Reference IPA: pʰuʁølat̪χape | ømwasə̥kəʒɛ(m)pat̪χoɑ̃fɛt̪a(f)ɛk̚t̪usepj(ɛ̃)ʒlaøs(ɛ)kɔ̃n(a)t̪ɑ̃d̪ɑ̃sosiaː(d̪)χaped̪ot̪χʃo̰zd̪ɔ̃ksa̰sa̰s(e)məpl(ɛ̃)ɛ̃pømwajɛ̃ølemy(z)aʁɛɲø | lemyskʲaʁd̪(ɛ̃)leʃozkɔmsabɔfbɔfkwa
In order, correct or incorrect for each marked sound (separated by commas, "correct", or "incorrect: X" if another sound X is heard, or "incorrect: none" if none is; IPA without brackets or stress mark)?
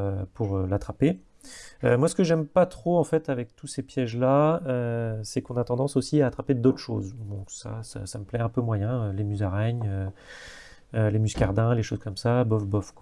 correct, incorrect: v, incorrect: ɛ, correct, correct, incorrect: t̪, incorrect: a, incorrect: ɛ, correct, correct